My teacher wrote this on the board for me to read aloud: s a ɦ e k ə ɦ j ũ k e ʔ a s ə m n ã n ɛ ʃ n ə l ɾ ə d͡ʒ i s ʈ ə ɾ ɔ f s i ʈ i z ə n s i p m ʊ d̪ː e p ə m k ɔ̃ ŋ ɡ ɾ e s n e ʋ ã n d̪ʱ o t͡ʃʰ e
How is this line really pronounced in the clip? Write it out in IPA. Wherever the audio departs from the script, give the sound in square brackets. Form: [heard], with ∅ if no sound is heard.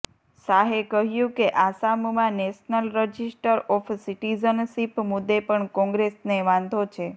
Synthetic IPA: s a ɦ e k ə ɦ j ũ k e ʔ a s [a] m [m] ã n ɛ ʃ n ə l ɾ ə d͡ʒ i s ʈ ə ɾ ɔ f s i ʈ i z ə n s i p m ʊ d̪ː e p ə [ɳ] k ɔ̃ ŋ ɡ ɾ e s n e ʋ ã n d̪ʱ o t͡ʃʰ e